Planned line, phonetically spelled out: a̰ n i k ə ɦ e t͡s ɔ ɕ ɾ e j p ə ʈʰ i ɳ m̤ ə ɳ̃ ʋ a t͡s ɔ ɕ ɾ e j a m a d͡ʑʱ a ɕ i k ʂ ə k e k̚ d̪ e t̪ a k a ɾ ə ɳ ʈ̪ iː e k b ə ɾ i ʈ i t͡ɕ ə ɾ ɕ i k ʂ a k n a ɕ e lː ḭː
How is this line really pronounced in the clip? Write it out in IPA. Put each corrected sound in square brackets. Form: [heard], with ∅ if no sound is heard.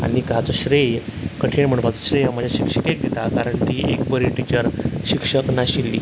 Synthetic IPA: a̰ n i k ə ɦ [a] t͡s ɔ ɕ ɾ e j [k] ə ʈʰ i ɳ m̤ ə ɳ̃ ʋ a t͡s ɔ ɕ ɾ e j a m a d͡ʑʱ a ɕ i k ʂ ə k e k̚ d̪ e t̪ a k a ɾ ə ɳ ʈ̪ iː e k b ə ɾ i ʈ i t͡ɕ ə ɾ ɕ i k ʂ [ə] k n a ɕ [i] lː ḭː